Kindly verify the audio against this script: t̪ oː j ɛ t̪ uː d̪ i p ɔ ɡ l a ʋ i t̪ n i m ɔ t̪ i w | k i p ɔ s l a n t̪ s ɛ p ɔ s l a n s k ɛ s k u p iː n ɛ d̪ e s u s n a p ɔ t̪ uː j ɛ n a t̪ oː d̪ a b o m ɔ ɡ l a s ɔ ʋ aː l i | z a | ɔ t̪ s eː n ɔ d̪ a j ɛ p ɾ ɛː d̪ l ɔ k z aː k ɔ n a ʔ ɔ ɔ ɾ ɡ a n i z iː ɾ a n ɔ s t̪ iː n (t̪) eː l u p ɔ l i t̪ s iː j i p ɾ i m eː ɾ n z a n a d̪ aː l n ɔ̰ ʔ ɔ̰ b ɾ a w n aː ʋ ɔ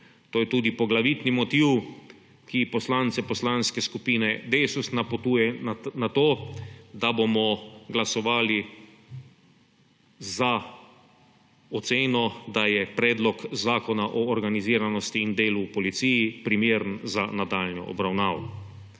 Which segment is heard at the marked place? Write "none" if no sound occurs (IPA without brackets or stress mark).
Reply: d̪